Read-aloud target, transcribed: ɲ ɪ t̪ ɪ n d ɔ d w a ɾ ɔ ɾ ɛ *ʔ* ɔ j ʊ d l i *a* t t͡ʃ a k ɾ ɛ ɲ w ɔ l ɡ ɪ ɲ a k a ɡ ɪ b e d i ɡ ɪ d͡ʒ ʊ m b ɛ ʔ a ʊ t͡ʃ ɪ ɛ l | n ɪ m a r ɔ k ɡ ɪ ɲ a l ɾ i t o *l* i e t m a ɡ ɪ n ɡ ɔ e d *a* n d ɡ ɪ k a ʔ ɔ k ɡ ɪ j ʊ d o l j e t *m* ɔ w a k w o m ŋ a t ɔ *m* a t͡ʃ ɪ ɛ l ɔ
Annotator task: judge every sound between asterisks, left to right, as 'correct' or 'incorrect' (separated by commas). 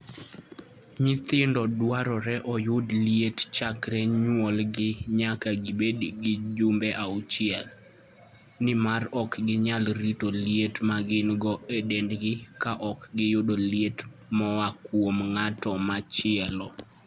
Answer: correct, incorrect, correct, incorrect, correct, correct